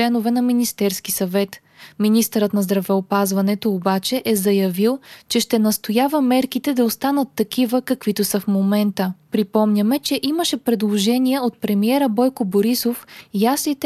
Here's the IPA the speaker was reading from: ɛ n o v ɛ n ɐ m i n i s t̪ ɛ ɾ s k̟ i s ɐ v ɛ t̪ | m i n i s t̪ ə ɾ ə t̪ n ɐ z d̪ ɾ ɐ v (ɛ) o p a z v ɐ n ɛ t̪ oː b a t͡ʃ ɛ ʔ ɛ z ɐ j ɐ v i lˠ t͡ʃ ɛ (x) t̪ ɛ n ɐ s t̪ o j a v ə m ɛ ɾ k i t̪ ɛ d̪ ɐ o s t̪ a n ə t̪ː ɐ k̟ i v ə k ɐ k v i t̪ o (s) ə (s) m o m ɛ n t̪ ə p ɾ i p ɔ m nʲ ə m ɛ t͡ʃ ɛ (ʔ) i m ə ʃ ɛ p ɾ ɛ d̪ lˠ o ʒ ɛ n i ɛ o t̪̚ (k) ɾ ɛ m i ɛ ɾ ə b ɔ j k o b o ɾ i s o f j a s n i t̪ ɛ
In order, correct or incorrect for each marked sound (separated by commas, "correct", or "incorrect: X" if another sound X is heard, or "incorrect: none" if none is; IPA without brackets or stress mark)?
correct, incorrect: ʃ, correct, incorrect: f, correct, incorrect: p